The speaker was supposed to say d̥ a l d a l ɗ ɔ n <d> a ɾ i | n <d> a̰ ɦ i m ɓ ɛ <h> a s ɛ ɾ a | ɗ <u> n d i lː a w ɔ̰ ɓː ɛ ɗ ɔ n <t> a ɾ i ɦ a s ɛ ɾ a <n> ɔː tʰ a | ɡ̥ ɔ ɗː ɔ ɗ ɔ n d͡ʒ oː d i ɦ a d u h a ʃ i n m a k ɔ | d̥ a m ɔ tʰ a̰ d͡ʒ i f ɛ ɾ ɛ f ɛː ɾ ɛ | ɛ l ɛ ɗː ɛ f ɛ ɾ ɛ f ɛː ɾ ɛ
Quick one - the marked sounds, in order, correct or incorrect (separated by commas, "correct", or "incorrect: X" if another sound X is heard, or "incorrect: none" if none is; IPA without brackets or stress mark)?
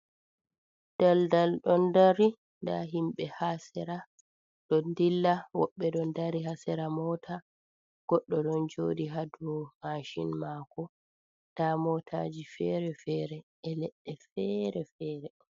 correct, correct, correct, incorrect: ɔ, incorrect: d, incorrect: m